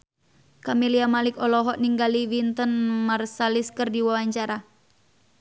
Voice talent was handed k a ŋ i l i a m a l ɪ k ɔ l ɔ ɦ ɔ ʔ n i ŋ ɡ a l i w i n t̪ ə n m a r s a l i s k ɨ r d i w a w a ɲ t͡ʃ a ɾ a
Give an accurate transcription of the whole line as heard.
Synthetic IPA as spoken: k a m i l i a m a l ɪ k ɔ l ɔ ɦ ɔ ʔ n i ŋ ɡ a l i w i n t̪ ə n m a r s a l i s k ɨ r d i w a w a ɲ t͡ʃ a ɾ a